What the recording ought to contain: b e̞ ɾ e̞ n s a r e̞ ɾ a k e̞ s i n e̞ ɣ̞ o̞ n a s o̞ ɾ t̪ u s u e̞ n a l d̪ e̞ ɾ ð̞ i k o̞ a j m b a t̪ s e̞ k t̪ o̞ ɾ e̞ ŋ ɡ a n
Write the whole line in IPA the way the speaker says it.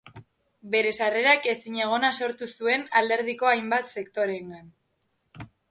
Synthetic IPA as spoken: b e̞ ɾ e̞ s a r e̞ ɾ a k e̞ s i ɲ e̞ ɣ̞ o̞ n a s o̞ ɾ t̪ u s u e̞ n a l d̪ e̞ ɾ ð̞ i k o̞ a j m b a t̪ s e̞ k t̪ o̞ ɾ e̞ ŋ ɡ a n

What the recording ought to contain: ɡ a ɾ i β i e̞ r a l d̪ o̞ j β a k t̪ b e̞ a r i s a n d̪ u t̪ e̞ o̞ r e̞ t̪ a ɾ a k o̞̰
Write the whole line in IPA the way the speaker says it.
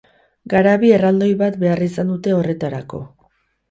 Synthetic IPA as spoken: ɡ a ɾ a β i e̞ r a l d̪ o̞ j β a t̪ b e̞ a r i s a n d̪ u t̪ e̞ o̞ r e̞ t̪ a ɾ a k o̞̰

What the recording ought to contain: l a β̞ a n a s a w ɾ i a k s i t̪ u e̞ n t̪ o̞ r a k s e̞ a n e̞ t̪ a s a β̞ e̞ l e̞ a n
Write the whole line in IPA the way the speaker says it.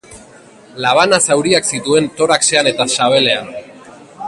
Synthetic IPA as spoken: l a β̞ a n a s a w ɾ i a k s i t̪ u e̞ n t̪ o̞ ɾ a k s e̞ a n e̞ t̪ a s a β̞ e̞ l e̞ a n

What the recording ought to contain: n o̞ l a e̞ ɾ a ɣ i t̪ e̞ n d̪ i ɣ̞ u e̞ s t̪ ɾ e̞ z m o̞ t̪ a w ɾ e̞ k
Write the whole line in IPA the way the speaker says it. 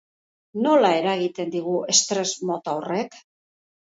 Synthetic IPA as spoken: n o̞ l a e̞ ɾ a ɣ i t̪ e̞ n d̪ i ɣ̞ u e̞ s t̪ ɾ e̞ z m o̞ t̪ a w r e̞ k

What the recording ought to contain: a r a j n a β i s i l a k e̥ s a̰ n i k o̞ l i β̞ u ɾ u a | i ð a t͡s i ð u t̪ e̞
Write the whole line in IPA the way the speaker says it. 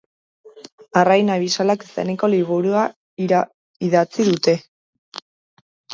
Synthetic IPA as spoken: a r a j n a β i s a l a k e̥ s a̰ n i k o̞ l i β̞ u ɾ u a | i ð a t͡s i ð u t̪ e̞

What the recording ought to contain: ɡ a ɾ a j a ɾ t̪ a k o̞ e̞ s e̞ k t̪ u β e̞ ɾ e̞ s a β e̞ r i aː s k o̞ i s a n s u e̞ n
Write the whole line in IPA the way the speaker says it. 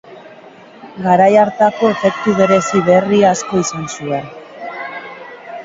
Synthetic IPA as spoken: ɡ a ɾ a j a ɾ t̪ a k o̞ e̞ f e̞ k t̪ u β e̞ ɾ e̞ s i β e̞ r i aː s k o̞ i s a n s u e̞ n

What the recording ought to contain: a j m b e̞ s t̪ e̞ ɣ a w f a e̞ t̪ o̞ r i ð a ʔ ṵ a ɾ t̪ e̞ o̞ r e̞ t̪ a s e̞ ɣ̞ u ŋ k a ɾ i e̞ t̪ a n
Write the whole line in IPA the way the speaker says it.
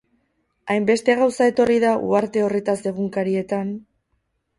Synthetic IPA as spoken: a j m b e̞ s t̪ e̞ ɣ a w s a e̞ t̪ o̞ r i ð a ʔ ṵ a ɾ t̪ e̞ o̞ r e̞ t̪ a s e̞ ɣ̞ u ŋ k a ɾ i e̞ t̪ a n

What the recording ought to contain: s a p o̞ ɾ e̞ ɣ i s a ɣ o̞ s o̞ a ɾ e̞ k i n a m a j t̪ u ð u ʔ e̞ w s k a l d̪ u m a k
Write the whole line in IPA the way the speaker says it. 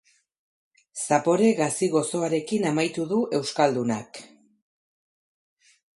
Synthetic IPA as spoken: s a p o̞ ɾ e̞ ɣ a s i ɣ o̞ s o̞ a ɾ e̞ k i n a m a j t̪ u ð u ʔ e̞ w s k a l d̪ u n a k

